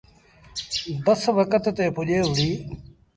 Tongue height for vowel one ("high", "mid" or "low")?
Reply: mid